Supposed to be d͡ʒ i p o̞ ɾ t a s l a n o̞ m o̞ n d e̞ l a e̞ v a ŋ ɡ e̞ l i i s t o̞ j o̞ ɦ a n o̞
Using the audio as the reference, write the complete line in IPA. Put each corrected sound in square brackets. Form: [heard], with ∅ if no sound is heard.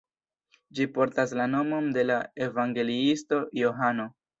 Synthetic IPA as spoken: d͡ʒ i p o̞ ɾ t a s l a n o̞ m o̞ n d e̞ l a e̞ v a ŋ ɡ e̞ l i i s t o̞ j o̞ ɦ a n o̞